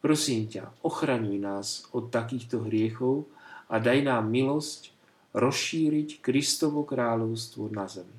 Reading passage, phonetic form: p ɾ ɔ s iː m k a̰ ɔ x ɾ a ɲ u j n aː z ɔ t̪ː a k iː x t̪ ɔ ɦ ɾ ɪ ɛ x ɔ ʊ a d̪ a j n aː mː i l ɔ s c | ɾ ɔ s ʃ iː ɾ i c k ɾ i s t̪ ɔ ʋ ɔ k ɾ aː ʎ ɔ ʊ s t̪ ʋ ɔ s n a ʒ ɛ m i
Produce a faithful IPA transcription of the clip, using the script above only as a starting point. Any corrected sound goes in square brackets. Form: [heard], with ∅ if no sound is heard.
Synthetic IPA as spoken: p ɾ ɔ s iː m [c] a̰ ɔ x ɾ a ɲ u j n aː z ɔ t̪ː a k iː x t̪ ɔ ɦ ɾ ɪ ɛ x ɔ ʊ a d̪ a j n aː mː i l ɔ s c | ɾ ɔ s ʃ iː ɾ i c k ɾ i s t̪ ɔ ʋ ɔ k ɾ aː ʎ ɔ ʊ s t̪ ʋ ɔ [∅] n a [z] ɛ m i